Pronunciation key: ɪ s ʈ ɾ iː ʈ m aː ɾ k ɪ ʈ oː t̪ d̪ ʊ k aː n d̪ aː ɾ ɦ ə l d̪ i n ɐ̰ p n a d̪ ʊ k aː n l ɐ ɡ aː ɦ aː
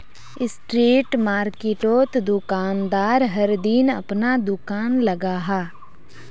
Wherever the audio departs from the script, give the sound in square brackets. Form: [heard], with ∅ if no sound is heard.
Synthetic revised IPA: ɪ s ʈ ɾ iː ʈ m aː ɾ k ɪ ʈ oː t̪ d̪ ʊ k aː n d̪ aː ɾ ɦ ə [ɾ] d̪ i n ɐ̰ p n a d̪ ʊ k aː n l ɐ ɡ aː ɦ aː

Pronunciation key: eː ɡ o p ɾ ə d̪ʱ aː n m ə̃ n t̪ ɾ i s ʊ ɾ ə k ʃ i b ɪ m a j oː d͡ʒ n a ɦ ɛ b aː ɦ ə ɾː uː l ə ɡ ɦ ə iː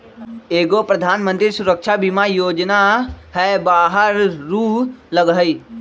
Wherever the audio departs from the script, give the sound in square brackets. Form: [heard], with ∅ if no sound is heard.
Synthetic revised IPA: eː ɡ o p ɾ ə d̪ʱ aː n m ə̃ n t̪ ɾ i s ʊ ɾ ə k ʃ [a] b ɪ m a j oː d͡ʒ n a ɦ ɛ b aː ɦ ə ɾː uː l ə ɡ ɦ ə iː

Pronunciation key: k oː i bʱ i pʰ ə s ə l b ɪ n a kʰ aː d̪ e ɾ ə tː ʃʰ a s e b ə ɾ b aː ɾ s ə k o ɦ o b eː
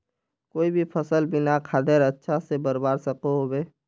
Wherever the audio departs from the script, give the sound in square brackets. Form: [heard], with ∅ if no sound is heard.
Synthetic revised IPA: k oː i bʱ i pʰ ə s ə l b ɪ n a kʰ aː d̪ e ɾ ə tː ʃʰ a s e b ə ɾ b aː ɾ s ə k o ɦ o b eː

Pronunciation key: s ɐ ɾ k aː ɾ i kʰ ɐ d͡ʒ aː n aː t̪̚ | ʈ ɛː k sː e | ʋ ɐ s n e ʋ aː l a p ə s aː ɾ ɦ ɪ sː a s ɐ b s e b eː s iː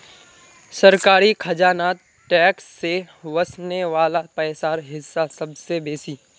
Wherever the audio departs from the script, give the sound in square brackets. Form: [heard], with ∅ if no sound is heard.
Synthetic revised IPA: s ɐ ɾ k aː ɾ i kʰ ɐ d͡ʒ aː n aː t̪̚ | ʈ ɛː k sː e | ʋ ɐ s n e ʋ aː l a p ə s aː ɾ ɦ ɪ sː a s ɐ b s e b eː s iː

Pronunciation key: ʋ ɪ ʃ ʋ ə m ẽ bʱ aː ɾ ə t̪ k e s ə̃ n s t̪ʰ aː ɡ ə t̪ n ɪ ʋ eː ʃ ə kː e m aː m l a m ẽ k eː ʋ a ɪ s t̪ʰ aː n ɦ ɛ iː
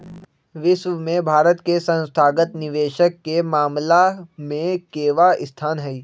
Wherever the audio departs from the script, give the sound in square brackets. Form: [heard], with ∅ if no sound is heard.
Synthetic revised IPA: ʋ ɪ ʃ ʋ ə m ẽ bʱ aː ɾ ə t̪ k e s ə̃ n s t̪ʰ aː ɡ ə t̪ n ɪ ʋ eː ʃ ə kː e m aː m l a m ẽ k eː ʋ a ɪ s t̪ʰ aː n ɦ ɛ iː

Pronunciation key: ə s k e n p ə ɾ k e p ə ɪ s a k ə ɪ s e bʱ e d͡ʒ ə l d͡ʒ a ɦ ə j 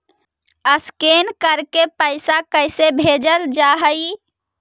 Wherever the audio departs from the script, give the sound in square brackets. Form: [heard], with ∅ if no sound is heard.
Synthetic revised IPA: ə s k e n [k] ə ɾ k e p ə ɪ s a k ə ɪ s e bʱ e d͡ʒ ə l d͡ʒ a ɦ ə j

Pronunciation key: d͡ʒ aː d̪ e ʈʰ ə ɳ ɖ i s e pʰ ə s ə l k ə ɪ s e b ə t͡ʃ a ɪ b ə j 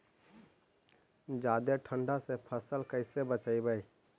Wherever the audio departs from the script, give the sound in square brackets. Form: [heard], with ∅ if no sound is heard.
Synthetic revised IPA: d͡ʒ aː d̪ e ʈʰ ə ɳ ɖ [a] s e pʰ ə s ə l k ə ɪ s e b ə t͡ʃ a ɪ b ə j

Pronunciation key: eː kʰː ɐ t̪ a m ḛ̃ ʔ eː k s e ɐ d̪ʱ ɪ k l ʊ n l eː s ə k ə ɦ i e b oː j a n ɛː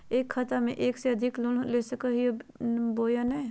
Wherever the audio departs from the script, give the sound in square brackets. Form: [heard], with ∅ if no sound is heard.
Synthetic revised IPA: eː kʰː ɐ t̪ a m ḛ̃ ʔ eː k s e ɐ d̪ʱ ɪ k l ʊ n l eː s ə k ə ɦ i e b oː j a n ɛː

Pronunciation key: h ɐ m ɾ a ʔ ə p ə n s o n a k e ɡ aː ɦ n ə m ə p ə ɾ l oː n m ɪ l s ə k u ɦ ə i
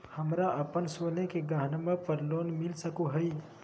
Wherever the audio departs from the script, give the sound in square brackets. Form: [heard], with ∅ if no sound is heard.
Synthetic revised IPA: h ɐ m ɾ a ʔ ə p ə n s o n [e] k e ɡ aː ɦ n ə m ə p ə ɾ l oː n m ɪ l s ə k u ɦ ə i

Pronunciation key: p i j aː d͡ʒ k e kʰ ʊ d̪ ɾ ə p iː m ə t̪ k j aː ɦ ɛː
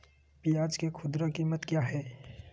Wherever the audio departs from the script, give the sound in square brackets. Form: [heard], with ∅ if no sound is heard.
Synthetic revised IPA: p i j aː d͡ʒ k e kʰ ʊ d̪ ɾ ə [k] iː m ə t̪ k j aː ɦ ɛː

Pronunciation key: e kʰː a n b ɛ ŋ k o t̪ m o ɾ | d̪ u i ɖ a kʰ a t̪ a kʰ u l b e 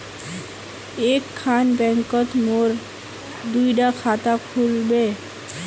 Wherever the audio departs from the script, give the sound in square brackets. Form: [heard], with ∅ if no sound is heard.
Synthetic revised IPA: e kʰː a n b ɛ ŋ k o t̪ m o ɾ | d̪ u [j] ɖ a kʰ a t̪ a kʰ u l b e

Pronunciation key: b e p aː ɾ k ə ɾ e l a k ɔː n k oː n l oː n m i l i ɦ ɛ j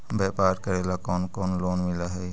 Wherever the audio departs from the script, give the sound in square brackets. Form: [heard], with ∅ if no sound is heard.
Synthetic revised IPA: b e p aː ɾ k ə ɾ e l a k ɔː n k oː n l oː n m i l [a] ɦ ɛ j

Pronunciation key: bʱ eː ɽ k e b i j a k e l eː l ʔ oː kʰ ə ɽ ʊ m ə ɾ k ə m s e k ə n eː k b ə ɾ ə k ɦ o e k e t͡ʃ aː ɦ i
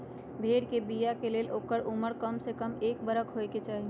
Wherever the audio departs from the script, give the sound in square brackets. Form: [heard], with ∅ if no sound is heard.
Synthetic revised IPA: bʱ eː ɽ k e b i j a k e l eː l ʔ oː [k] ə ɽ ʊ m ə ɾ k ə m s e k ə [m] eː k b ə ɾ ə k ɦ o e k e t͡ʃ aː ɦ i

